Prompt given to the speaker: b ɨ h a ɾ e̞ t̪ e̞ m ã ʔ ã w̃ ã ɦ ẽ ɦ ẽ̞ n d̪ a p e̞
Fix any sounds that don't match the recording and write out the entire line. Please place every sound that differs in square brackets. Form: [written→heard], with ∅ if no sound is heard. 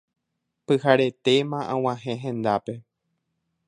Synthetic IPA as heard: [b→p] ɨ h a ɾ e̞ t̪ e̞ m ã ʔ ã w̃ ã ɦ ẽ ɦ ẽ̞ n d̪ a p e̞